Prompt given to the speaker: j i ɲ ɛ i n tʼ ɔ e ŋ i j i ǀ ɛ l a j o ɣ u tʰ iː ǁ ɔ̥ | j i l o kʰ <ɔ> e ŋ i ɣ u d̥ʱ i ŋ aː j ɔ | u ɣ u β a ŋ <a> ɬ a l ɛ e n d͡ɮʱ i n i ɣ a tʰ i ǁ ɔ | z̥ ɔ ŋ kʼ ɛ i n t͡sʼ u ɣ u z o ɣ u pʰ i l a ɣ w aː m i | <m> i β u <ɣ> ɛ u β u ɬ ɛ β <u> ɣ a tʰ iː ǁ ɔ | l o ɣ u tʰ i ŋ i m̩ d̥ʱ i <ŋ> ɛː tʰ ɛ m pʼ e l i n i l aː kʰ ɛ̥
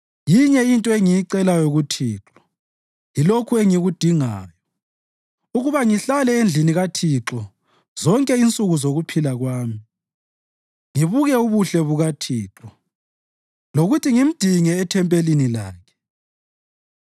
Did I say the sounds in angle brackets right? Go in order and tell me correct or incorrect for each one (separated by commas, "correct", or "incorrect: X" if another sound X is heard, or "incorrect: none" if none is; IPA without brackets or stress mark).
incorrect: u, incorrect: i, incorrect: ŋ, correct, correct, correct